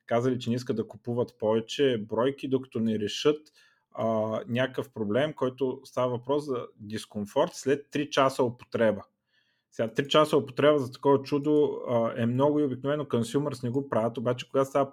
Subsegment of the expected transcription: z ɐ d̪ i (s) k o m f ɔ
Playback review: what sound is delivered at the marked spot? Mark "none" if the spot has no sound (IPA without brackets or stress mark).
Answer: s